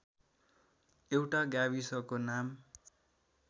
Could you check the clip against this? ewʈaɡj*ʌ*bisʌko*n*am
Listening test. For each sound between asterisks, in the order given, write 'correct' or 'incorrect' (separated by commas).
incorrect, correct